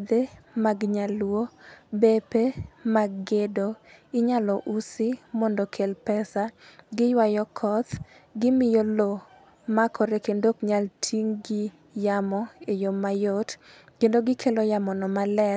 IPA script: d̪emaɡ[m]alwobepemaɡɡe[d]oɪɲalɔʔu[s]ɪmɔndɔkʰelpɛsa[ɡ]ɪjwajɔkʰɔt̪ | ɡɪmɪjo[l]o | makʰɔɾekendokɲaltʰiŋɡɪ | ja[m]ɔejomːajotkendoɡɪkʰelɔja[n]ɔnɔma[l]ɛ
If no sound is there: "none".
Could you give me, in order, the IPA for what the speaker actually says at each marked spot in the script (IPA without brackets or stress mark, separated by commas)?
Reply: ɲ, d, s, ɡ, l, m, m, l